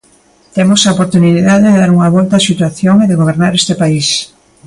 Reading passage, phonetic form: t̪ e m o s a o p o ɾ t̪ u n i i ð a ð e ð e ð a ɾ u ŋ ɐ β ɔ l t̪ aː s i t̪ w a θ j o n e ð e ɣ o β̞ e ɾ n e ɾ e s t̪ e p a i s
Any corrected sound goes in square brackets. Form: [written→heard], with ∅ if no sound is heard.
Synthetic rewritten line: t̪ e m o s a o p o ɾ t̪ u n i i ð a ð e ð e ð a ɾ u ŋ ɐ β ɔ l t̪ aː s i t̪ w a θ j o [n→ŋ] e ð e ɣ o β̞ e ɾ n [e→a] ɾ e s t̪ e p a i s